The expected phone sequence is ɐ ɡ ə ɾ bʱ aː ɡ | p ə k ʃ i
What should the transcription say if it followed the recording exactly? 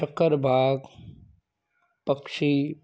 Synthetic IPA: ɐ k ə ɾ bʱ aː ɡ | p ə k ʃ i